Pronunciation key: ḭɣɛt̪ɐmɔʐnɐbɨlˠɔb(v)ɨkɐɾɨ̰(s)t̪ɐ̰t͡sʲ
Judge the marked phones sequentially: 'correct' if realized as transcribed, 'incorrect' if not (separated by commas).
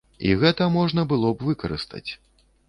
correct, correct